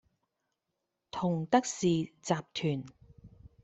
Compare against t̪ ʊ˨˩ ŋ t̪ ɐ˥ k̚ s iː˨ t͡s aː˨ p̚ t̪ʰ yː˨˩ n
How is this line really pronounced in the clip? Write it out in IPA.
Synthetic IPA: t̪ʰ ʊ˨˩ ŋ t̪ ɐ˥ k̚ s iː˨ t͡s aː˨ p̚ t̪ʰ yː˨˩ n